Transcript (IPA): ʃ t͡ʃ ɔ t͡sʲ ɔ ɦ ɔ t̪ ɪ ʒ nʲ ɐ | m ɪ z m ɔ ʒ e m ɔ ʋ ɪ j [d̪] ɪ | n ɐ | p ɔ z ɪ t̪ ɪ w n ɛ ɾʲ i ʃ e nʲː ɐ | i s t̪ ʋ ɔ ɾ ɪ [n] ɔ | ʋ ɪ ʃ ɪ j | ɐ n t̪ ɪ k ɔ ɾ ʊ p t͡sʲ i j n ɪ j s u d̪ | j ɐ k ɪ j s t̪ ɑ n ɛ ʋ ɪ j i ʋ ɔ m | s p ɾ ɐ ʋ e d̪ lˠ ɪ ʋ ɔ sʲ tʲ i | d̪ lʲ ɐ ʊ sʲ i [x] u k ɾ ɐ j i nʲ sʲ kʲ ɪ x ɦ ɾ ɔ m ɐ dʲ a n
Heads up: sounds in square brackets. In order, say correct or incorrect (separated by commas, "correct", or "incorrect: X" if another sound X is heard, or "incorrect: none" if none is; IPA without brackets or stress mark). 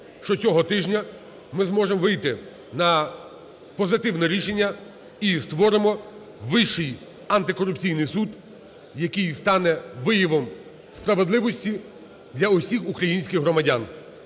incorrect: t̪, incorrect: m, correct